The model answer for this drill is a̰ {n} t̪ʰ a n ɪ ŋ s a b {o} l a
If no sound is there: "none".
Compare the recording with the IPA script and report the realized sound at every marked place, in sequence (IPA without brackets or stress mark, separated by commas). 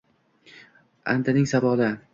n, ɒ